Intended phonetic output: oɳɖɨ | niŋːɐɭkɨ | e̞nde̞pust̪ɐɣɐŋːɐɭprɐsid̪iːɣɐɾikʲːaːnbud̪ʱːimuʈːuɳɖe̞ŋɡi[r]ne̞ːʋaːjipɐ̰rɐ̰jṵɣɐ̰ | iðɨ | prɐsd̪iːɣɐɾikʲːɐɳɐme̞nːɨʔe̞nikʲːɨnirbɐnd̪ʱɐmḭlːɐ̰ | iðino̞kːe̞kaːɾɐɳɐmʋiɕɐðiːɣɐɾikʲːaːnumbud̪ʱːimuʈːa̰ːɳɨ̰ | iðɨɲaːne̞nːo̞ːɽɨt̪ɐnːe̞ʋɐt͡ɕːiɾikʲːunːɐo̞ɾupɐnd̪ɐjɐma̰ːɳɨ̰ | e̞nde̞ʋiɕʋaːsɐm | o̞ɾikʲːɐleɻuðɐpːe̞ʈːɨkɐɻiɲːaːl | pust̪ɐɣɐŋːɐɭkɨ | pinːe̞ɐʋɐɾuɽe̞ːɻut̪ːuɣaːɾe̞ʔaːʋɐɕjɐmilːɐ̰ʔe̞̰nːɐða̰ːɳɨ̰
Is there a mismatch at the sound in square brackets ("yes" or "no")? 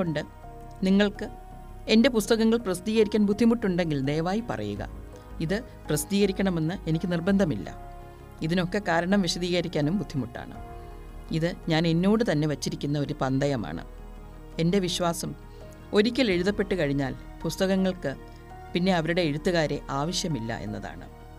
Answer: yes